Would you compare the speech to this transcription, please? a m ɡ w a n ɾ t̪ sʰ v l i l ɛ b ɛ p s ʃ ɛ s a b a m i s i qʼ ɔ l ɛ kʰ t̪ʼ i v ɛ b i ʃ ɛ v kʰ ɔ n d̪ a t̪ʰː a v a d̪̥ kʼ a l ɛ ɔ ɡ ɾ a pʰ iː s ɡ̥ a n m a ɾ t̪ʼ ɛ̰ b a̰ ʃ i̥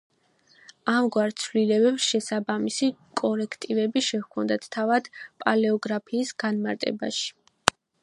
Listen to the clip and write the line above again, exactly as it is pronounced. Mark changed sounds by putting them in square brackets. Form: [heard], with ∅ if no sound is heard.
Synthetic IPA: a m ɡ w a [∅] ɾ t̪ sʰ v l i l ɛ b ɛ p s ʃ ɛ s a b a m i s i [kʼ] ɔ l ɛ kʰ t̪ʼ i v ɛ b i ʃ ɛ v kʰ ɔ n d̪ a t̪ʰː a v a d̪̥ [pʼ] a l ɛ ɔ ɡ ɾ a pʰ iː s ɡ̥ a n m a ɾ t̪ʼ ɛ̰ b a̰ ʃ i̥